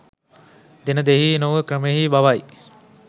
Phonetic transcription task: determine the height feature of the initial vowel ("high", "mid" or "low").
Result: mid